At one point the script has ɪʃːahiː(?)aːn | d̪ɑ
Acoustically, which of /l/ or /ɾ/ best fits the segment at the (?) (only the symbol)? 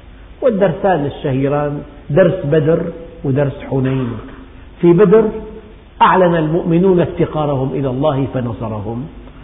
ɾ